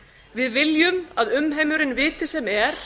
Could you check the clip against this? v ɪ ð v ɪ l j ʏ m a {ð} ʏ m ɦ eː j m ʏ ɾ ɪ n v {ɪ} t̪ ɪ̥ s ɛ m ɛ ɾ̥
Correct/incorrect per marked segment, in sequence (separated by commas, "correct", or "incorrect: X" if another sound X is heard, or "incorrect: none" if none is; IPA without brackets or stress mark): correct, incorrect: ɪː